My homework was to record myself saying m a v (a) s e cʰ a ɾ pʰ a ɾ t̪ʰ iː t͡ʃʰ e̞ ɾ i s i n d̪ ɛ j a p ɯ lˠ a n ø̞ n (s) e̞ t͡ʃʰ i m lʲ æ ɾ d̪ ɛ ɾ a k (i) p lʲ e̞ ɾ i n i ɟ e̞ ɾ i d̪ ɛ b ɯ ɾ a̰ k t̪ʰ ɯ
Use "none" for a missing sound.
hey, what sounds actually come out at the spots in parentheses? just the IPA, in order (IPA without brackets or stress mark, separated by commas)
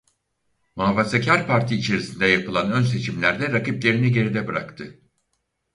a, s, i